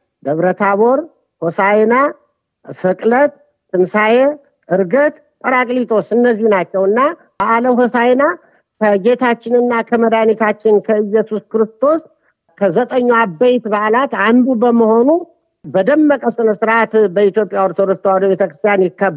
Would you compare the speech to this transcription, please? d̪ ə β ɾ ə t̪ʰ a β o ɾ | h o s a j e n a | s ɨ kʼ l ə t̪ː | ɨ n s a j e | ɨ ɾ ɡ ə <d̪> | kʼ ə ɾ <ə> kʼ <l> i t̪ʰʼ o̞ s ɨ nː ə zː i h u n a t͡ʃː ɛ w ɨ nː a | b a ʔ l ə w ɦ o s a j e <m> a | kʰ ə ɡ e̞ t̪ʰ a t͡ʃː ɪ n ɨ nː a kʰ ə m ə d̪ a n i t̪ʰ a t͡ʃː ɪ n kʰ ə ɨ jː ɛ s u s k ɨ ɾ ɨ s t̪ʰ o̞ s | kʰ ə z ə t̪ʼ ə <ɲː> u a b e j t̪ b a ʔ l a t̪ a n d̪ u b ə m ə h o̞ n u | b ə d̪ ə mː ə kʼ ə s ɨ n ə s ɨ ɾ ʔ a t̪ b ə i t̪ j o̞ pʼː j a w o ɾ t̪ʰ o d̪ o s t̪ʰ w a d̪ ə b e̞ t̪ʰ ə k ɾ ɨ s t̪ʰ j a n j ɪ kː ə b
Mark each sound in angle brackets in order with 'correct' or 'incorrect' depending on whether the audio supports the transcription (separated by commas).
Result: incorrect, incorrect, correct, incorrect, correct